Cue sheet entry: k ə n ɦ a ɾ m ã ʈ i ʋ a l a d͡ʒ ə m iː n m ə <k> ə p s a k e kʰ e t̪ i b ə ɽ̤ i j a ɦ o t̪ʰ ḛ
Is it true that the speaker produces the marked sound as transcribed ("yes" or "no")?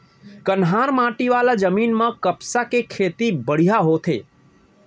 yes